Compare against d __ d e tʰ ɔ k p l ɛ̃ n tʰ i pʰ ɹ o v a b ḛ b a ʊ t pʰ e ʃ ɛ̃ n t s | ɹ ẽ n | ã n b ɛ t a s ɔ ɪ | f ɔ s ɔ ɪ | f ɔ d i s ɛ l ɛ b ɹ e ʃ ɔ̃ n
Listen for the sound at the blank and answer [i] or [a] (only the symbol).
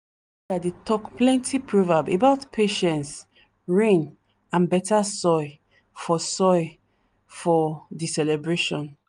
a